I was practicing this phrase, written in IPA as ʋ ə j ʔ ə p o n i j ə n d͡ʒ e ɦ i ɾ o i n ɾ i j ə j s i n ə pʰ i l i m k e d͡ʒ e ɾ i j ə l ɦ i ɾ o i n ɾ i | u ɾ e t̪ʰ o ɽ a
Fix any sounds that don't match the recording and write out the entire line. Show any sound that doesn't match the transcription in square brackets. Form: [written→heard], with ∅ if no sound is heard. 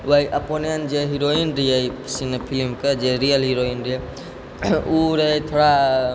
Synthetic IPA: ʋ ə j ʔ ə p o n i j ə n d͡ʒ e ɦ i ɾ o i n ɾ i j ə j s i n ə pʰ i l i m k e d͡ʒ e ɾ i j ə l ɦ i ɾ o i n ɾ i | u ɾ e t̪ʰ o ɽ a

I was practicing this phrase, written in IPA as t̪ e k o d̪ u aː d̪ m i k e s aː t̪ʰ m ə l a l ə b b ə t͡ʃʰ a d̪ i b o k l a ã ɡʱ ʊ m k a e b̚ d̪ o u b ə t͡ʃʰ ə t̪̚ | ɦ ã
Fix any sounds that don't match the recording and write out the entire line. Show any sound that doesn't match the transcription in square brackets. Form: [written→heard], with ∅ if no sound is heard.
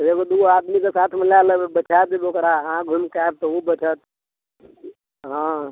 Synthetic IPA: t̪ e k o d̪ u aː d̪ m i k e s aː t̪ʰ m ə l a l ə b b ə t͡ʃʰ a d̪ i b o k [l→ɾ] a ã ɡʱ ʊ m k a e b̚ [d̪→t̪] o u b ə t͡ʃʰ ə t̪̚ | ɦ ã

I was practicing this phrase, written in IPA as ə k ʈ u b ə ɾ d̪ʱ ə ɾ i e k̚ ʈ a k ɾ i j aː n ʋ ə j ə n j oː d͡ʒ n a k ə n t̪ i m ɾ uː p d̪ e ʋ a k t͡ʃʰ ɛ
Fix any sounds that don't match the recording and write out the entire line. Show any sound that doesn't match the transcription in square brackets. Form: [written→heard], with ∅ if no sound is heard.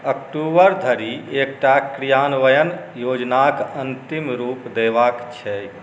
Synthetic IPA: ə k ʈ u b ə ɾ d̪ʱ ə ɾ i e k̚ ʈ a k ɾ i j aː n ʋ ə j ə n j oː d͡ʒ n a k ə n t̪ i m ɾ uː p d̪ e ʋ a k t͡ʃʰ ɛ

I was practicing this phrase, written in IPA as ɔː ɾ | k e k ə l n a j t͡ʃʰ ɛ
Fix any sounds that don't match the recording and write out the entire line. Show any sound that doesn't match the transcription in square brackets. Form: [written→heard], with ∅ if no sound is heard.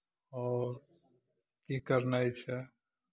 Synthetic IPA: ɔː ɾ | k [e→i] k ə [l→ɾ] n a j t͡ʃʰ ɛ

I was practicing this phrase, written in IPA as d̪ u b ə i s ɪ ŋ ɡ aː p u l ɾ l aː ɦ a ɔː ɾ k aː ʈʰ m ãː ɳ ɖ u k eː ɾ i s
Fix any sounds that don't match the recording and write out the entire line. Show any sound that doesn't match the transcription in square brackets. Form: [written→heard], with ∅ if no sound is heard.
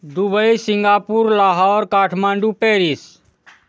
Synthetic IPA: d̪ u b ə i s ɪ ŋ ɡ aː p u [l→∅] ɾ l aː ɦ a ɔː ɾ k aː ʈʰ m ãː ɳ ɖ u [k→p] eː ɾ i s

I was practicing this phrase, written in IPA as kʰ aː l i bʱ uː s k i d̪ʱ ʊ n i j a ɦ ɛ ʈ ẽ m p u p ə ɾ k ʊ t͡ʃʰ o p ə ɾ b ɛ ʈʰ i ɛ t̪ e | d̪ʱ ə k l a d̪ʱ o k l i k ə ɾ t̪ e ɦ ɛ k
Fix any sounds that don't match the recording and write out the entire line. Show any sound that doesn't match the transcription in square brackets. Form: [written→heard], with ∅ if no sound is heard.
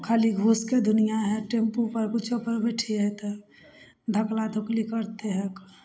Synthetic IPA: kʰ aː l i [bʱ→ɡʱ] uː s k [i→e] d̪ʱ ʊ n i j a ɦ ɛ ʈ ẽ m p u p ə ɾ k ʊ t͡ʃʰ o p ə ɾ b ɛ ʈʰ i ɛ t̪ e | d̪ʱ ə k l a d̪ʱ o k l i k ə ɾ t̪ e ɦ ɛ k

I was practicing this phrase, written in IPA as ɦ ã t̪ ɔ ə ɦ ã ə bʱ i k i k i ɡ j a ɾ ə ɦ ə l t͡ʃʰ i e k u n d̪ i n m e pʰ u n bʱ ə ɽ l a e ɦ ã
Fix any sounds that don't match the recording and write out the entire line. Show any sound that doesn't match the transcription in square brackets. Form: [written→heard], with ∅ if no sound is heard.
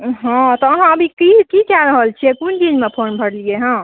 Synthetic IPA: ɦ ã t̪ ɔ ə ɦ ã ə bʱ i k i k i [ɡ→k] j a ɾ ə ɦ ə l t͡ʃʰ i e k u n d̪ i n m e pʰ [u→o] n bʱ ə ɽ l [a→i] e ɦ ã

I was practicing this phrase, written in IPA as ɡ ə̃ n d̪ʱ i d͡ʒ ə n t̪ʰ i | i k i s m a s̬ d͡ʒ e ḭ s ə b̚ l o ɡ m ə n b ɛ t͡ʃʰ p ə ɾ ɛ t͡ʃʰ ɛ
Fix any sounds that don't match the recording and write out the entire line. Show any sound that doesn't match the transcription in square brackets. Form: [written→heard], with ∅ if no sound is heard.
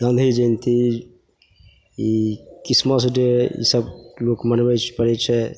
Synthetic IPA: ɡ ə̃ n d̪ʱ i d͡ʒ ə n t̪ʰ i | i k i s m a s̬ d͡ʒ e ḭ s ə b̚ l o [ɡ→k] m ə n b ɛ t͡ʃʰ p ə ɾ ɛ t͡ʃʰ ɛ

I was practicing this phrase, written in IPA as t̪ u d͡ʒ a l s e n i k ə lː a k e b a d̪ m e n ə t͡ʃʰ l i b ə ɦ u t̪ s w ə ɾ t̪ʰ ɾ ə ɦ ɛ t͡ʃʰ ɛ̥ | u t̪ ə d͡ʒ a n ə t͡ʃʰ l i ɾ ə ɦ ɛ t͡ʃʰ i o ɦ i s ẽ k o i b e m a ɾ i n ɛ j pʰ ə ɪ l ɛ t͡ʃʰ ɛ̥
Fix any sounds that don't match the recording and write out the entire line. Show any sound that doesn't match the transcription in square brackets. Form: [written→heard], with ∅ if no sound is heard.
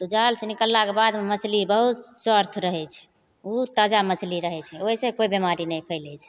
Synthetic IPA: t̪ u d͡ʒ a l s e n i k ə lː a k e b a d̪ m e [n→m] ə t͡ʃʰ l i b ə ɦ u t̪ s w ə ɾ t̪ʰ ɾ ə ɦ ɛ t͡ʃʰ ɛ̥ | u t̪ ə d͡ʒ a [n→m] ə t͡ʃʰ l i ɾ ə ɦ ɛ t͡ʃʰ [i→ɛ] o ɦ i s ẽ k o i b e m a ɾ i n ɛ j pʰ ə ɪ l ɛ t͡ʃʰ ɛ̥

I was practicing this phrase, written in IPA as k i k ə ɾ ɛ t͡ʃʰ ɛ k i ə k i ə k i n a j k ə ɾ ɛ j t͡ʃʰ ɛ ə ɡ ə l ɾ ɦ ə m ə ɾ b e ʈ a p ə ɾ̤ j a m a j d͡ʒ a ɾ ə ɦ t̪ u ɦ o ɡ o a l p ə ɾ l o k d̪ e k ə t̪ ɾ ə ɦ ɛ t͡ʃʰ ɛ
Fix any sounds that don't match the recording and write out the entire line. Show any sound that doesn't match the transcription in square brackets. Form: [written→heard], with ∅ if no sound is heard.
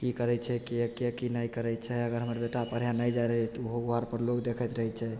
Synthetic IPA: k i k ə ɾ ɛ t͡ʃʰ ɛ k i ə k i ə k i n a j k ə ɾ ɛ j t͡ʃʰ ɛ ə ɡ ə [l→∅] ɾ ɦ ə m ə ɾ b e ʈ a p ə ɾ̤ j a [m→n] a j d͡ʒ a ɾ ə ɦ t̪ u ɦ o ɡ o a [l→ɾ] p ə ɾ l o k d̪ e [k→kʰ] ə t̪ ɾ ə ɦ ɛ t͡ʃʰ ɛ

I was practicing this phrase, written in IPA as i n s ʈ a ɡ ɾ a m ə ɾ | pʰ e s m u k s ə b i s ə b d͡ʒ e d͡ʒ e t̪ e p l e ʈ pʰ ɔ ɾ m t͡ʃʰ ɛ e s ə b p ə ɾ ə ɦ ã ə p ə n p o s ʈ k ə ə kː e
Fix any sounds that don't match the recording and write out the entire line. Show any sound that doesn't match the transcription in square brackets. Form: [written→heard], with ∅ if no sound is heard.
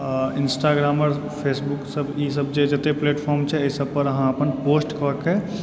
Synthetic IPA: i n s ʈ a ɡ ɾ a m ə ɾ | pʰ e s [m→b] u k s ə b i s ə b d͡ʒ e d͡ʒ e t̪ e p l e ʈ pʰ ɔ ɾ m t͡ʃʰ ɛ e s ə b p ə ɾ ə ɦ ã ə p ə n p o s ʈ k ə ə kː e

